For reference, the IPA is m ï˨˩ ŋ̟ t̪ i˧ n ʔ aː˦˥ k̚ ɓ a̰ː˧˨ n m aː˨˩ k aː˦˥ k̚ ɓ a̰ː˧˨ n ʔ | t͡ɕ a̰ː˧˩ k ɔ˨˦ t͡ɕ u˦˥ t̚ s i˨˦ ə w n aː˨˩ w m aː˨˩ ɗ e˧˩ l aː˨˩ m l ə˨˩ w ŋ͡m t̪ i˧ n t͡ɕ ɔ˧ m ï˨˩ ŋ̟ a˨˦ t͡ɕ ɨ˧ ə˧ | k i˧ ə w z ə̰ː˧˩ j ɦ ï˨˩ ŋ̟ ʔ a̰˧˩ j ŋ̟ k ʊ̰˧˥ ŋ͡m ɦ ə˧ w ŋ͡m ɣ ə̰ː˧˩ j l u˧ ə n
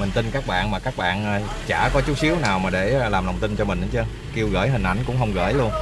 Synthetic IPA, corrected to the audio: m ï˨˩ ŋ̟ t̪ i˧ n k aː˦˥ k̚ ɓ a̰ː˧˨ n m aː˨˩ k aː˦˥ k̚ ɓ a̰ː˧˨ n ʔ | t͡ɕ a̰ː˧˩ k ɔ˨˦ t͡ɕ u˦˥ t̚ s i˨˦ ə w n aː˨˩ w m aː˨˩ ɗ e˧˩ l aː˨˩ m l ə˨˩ w ŋ͡m t̪ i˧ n t͡ɕ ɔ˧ m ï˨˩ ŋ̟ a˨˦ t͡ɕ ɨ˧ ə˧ | k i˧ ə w ɣ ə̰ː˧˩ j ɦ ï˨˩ ŋ̟ ʔ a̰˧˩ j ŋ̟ k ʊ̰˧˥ ŋ͡m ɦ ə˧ w ŋ͡m ɣ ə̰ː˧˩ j l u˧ ə n